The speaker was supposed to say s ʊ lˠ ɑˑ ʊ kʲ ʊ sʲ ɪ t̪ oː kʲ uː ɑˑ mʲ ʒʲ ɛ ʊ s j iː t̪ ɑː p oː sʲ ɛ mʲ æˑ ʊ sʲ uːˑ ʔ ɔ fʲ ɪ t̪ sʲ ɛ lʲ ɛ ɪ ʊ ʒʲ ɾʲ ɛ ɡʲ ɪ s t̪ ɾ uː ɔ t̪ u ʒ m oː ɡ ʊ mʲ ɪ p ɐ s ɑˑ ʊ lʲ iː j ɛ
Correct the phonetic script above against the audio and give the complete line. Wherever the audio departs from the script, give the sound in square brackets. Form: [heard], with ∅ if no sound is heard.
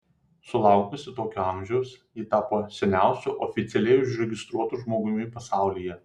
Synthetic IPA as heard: s ʊ lˠ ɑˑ ʊ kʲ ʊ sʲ ɪ t̪ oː kʲ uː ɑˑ mʲ ʒʲ ɛ ʊ s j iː t̪ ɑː p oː sʲ ɛ [nʲ] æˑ ʊ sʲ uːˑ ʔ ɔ fʲ ɪ t̪ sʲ ɛ lʲ ɛ ɪ ʊ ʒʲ ɾʲ ɛ ɡʲ ɪ s t̪ ɾ [u] ɔ t̪ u ʒ m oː ɡ ʊ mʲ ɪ p ɐ s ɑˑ ʊ lʲ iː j ɛ